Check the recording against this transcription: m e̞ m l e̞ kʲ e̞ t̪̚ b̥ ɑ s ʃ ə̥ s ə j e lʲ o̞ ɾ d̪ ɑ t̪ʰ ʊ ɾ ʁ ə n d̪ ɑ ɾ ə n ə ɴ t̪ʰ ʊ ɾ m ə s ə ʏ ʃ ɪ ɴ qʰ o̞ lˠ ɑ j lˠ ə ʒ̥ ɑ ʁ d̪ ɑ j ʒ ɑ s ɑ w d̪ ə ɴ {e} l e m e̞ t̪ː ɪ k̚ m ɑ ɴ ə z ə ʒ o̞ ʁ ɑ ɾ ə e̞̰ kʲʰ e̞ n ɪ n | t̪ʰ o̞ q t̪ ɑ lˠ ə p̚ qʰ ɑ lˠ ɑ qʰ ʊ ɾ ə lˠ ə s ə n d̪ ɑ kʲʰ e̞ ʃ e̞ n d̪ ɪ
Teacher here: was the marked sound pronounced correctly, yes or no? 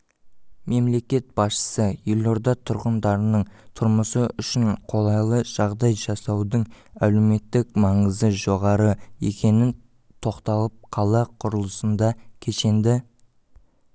no